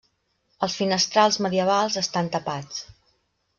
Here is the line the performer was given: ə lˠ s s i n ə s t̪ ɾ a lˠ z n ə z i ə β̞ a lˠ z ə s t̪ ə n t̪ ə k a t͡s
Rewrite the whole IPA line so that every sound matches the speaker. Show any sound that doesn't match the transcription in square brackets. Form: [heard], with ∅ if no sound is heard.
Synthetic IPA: ə lˠ s [f] i n ə s t̪ ɾ a lˠ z [m] ə [ð] i ə β̞ a lˠ z ə s t̪ [a] n t̪ ə [p] a t͡s